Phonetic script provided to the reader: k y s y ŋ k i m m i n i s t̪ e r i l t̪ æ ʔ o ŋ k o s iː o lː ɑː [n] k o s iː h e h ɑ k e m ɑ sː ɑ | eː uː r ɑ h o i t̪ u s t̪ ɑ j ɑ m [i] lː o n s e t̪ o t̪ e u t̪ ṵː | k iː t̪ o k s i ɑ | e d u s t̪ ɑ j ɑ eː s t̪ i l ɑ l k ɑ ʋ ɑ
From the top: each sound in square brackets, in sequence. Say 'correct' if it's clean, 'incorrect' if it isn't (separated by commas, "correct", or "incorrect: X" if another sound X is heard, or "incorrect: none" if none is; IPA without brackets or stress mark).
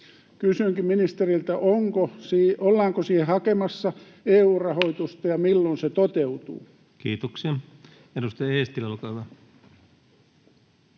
incorrect: ŋ, correct